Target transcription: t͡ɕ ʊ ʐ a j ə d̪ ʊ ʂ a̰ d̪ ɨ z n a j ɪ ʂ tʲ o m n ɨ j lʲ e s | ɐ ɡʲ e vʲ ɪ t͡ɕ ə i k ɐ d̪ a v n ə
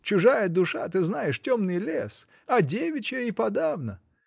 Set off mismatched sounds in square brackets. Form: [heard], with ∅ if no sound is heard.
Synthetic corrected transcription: t͡ɕ ʊ ʐ a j ə d̪ ʊ ʂ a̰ [t̪] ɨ z n a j ɪ ʂ tʲ o m n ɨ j lʲ e s | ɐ [dʲ] e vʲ ɪ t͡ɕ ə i [p] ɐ d̪ a v n ə